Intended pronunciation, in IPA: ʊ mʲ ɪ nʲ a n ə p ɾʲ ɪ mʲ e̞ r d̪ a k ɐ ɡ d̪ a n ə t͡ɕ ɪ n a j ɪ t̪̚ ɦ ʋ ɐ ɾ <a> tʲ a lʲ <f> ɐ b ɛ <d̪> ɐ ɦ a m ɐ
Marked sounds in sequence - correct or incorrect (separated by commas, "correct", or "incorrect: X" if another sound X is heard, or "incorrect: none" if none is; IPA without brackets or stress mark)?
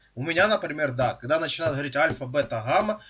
incorrect: i, correct, incorrect: t̪